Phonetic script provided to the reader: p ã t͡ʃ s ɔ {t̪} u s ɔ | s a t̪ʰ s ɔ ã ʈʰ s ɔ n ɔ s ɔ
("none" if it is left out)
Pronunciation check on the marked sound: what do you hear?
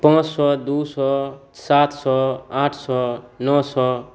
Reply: d̪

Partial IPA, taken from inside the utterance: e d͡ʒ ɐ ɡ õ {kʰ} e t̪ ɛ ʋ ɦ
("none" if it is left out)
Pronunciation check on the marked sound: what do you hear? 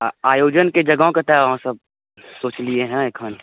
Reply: k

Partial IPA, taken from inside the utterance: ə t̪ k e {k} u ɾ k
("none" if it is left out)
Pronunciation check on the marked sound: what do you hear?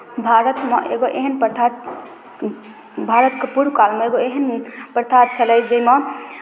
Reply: p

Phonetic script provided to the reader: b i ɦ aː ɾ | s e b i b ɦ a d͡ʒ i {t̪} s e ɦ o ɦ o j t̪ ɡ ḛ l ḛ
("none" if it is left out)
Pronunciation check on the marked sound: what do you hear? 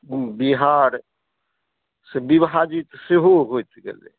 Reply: t̪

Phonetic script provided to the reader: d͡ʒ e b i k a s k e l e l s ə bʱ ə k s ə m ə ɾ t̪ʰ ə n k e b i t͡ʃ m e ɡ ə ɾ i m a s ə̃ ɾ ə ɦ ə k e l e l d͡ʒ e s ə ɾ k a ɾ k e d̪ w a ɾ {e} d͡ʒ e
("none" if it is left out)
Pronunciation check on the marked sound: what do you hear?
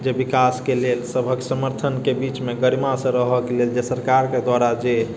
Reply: a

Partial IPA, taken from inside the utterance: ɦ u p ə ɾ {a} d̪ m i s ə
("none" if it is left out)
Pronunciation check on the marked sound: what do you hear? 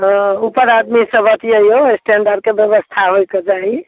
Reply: a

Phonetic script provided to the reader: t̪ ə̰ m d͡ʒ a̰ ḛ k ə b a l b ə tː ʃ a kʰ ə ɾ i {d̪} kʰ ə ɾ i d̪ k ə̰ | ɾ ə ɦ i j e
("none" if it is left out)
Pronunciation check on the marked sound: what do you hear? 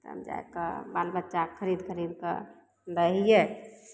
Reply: d̪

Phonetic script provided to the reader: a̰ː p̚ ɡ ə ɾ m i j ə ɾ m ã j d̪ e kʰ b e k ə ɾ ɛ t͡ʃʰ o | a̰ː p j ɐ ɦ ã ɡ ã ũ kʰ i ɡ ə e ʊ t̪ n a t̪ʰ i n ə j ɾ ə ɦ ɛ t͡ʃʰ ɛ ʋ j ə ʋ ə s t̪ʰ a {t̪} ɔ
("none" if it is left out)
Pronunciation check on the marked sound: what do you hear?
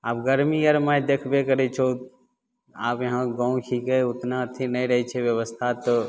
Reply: t̪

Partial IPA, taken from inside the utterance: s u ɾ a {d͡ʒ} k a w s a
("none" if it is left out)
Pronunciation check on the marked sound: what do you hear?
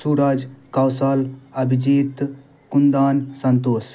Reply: d͡ʒ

